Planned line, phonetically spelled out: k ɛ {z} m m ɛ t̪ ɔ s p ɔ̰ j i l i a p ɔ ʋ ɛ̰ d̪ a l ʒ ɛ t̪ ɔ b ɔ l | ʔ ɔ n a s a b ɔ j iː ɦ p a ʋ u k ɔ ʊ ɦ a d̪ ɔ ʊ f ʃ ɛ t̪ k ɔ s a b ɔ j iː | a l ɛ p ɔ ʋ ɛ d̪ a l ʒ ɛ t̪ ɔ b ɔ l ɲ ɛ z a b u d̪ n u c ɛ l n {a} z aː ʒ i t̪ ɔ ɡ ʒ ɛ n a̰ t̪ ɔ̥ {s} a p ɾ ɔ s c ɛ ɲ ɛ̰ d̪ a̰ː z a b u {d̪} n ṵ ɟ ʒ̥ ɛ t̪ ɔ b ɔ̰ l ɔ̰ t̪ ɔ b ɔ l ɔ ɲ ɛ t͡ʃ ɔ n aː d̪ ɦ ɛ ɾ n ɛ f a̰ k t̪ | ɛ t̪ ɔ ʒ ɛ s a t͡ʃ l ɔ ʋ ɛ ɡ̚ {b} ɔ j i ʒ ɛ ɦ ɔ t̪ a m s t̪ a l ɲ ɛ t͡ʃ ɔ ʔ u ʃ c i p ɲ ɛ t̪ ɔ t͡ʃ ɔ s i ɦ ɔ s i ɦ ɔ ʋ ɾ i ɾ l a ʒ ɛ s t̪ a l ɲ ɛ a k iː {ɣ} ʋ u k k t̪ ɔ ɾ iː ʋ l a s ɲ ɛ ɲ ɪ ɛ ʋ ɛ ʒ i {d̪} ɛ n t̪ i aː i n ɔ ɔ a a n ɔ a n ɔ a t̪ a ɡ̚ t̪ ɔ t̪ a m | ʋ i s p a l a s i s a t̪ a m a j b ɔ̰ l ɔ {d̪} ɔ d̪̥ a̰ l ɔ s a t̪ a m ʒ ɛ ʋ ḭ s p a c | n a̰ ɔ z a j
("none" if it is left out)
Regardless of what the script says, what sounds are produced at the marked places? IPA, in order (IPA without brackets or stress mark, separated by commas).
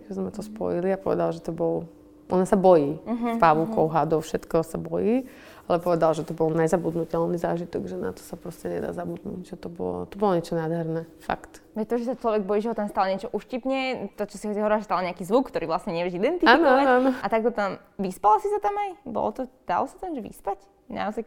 z, i, s, d̪, b, z, d̪, t̪